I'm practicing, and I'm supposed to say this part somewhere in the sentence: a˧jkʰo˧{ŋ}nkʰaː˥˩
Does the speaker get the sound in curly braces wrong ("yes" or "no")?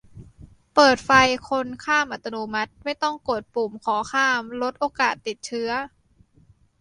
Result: yes